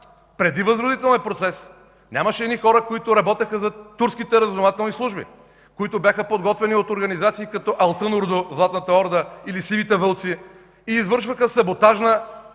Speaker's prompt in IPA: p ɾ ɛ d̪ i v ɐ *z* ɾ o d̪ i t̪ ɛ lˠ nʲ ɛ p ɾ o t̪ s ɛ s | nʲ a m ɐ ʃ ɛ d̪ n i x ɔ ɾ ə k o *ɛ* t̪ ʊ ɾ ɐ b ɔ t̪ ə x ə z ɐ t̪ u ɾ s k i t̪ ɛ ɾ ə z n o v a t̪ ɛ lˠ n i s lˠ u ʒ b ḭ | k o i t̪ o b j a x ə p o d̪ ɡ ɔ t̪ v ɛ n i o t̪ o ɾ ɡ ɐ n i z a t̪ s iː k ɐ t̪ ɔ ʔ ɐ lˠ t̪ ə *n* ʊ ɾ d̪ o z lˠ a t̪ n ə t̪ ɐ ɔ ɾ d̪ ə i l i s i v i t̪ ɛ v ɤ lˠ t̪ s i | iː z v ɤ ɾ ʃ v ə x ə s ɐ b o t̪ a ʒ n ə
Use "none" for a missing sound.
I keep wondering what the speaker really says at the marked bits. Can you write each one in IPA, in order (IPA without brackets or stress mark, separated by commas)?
z, i, n